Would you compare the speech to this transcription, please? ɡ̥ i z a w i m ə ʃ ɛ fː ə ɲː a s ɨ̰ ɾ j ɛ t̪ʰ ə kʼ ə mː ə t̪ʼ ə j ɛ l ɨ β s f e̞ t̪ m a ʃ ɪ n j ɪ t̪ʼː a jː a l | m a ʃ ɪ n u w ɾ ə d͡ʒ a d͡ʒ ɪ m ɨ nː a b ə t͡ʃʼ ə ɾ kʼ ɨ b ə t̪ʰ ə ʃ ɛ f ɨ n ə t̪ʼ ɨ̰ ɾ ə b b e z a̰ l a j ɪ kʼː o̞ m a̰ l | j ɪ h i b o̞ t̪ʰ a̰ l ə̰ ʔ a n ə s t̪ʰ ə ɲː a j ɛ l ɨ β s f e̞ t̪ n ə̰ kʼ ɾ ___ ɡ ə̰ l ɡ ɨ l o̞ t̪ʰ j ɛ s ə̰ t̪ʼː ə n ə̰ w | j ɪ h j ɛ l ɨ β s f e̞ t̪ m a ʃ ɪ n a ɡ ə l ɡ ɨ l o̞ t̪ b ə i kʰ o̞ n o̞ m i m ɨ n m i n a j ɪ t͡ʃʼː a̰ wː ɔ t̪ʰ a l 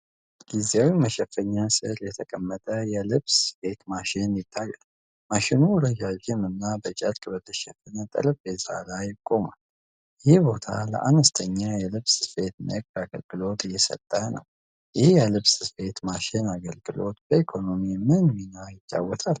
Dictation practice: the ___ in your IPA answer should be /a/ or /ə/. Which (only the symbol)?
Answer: a